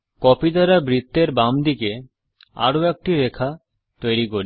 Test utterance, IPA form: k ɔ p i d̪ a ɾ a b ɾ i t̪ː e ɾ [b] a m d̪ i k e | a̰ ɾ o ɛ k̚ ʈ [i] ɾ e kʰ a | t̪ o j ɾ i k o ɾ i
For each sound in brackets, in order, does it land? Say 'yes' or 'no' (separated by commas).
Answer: yes, yes